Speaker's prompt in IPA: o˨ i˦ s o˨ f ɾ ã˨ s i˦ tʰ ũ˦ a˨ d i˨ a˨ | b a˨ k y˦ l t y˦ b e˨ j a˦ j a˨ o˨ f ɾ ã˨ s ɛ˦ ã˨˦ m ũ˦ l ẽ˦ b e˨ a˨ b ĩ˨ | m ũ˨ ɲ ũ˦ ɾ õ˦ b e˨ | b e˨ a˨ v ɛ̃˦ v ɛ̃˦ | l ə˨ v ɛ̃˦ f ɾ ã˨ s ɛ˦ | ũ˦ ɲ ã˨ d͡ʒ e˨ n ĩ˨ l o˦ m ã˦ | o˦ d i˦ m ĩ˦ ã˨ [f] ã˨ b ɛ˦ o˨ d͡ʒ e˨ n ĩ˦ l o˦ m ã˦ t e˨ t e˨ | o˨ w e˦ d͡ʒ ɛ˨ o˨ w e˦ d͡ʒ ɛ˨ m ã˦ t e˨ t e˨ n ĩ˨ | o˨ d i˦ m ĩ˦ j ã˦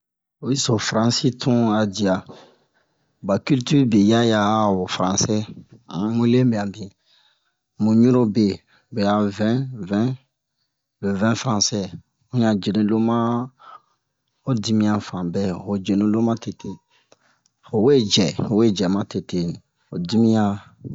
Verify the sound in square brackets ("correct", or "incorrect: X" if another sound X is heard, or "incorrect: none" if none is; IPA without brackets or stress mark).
correct